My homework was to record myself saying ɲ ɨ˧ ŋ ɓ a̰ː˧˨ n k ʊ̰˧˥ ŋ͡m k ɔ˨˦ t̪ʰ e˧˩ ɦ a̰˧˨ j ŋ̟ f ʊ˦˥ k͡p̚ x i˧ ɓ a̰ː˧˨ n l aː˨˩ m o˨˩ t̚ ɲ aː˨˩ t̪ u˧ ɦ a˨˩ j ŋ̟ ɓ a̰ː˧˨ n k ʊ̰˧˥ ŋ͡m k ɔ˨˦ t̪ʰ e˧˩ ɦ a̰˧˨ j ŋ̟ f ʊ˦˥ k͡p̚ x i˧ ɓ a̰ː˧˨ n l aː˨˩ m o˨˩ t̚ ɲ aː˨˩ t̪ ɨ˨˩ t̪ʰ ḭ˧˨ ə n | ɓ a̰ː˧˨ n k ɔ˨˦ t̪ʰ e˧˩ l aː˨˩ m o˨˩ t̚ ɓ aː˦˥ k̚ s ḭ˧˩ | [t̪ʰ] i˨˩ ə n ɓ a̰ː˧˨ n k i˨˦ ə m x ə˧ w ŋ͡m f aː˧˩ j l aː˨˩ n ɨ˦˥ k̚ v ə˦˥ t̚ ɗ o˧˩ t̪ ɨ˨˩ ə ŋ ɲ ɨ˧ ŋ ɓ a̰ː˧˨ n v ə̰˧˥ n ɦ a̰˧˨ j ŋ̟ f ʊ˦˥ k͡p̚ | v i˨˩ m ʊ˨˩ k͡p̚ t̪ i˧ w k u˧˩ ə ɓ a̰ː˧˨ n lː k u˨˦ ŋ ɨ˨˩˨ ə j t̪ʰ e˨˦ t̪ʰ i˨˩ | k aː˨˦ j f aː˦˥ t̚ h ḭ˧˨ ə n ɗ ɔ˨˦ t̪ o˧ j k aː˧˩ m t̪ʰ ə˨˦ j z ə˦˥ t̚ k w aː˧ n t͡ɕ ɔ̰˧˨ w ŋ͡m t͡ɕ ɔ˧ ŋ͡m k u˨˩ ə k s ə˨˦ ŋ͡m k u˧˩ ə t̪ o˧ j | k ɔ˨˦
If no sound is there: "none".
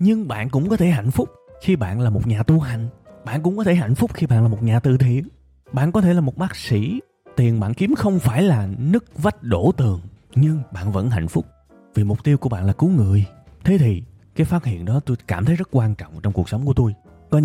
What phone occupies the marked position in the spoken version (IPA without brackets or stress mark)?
t̪